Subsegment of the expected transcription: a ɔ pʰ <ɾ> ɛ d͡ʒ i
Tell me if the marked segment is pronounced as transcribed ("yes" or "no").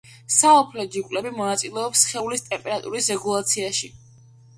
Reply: no